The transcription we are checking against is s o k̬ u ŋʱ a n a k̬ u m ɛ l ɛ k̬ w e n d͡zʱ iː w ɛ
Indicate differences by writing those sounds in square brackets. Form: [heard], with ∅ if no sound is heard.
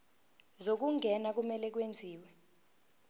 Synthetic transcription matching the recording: [z] o k̬ u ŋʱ [ɛ] n a k̬ u m ɛ l ɛ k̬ w e n d͡zʱ iː w ɛ